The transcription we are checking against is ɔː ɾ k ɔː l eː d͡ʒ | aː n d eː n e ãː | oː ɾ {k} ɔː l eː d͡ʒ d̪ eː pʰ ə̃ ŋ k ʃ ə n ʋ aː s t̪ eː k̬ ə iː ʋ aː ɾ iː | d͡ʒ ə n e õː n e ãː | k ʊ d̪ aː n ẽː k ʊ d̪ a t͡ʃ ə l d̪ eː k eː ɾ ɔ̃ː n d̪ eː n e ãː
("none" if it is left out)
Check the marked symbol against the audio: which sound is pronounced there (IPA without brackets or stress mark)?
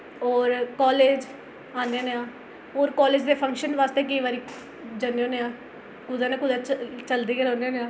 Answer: k